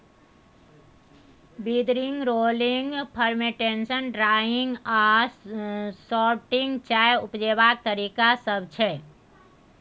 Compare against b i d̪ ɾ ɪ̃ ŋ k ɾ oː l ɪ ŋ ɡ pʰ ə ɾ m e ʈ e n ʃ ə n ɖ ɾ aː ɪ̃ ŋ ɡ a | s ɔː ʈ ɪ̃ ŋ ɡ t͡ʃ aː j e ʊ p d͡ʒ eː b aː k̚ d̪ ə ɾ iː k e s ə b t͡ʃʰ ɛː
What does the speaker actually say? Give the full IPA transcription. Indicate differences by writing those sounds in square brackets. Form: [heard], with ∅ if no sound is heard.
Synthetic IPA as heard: b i d̪ ɾ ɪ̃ ŋ [ɡ] ɾ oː l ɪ ŋ ɡ pʰ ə ɾ m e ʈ e n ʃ ə n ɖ ɾ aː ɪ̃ ŋ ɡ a | s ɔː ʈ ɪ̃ ŋ ɡ t͡ʃ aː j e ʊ p d͡ʒ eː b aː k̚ [t̪] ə ɾ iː k [a] s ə b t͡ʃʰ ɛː